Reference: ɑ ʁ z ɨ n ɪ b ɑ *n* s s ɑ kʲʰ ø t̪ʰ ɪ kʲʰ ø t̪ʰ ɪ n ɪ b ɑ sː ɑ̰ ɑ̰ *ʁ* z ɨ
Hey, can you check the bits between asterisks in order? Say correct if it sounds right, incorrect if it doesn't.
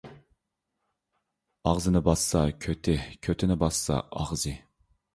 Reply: incorrect: none, correct

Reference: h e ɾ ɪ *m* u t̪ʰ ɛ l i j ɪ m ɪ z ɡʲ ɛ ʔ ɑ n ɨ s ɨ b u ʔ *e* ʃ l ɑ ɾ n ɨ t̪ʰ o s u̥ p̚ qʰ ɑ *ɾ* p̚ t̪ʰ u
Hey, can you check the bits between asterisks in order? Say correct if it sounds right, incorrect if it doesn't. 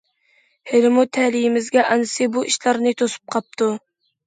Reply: correct, incorrect: i, incorrect: none

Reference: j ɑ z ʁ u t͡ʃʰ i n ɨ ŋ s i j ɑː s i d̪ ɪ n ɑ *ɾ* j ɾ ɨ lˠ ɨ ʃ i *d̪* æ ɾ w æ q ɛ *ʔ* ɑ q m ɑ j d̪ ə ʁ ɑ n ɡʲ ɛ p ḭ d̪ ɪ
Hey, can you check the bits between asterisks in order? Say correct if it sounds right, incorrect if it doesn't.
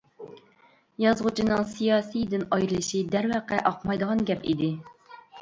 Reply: incorrect: none, correct, correct

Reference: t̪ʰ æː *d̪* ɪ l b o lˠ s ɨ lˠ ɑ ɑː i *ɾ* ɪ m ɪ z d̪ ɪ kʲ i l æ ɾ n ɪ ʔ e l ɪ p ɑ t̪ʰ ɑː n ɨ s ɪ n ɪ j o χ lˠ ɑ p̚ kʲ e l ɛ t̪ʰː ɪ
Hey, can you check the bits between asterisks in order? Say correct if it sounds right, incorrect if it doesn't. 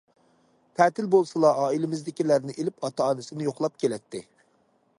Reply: incorrect: t̪, incorrect: l

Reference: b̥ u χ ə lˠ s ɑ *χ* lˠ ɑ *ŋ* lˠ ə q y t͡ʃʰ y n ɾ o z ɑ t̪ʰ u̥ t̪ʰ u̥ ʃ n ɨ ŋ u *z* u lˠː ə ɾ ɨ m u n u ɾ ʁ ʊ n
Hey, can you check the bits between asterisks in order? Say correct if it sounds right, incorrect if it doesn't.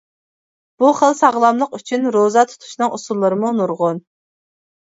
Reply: incorrect: ʁ, incorrect: m, incorrect: s

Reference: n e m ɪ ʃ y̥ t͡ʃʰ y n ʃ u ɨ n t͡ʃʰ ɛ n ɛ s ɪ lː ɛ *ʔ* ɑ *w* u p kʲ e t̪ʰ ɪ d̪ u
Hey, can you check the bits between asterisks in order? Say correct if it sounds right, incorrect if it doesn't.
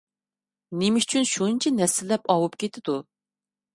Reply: incorrect: p, correct

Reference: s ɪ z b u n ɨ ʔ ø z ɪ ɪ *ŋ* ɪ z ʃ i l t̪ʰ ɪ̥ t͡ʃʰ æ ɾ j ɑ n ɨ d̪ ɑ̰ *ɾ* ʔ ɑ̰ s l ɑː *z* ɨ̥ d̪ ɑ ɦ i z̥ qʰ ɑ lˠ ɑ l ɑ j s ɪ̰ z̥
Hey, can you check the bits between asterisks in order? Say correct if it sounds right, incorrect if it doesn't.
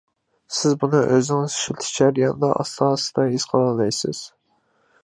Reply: correct, incorrect: none, incorrect: s

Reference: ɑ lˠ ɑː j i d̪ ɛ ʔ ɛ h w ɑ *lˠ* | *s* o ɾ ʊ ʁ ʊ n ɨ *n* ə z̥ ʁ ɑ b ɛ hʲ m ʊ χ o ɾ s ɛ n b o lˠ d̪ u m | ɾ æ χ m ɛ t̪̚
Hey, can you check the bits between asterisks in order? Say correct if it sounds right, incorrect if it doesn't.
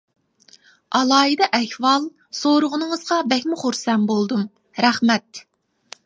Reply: correct, correct, incorrect: ŋ

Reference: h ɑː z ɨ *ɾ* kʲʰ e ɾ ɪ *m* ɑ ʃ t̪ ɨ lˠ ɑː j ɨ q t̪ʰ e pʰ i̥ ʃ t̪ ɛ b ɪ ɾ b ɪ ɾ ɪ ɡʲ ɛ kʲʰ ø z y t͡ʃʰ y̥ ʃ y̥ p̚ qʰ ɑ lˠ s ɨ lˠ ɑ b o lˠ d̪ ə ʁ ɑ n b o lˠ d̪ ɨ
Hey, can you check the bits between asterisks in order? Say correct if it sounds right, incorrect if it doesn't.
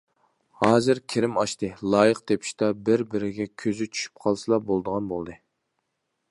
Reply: correct, correct

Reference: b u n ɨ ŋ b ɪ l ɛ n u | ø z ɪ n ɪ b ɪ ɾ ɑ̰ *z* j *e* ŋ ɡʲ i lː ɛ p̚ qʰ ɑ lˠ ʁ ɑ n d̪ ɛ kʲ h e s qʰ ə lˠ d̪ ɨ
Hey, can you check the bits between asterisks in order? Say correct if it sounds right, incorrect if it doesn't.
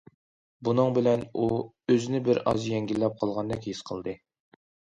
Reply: correct, incorrect: ɛ

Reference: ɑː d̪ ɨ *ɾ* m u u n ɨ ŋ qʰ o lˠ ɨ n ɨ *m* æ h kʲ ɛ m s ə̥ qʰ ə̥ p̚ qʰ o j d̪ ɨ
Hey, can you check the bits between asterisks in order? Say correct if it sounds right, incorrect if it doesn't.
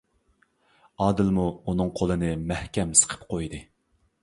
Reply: incorrect: l, correct

